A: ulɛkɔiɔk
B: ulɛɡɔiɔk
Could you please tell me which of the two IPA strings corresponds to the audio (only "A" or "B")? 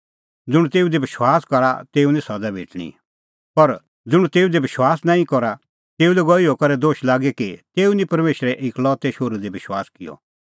B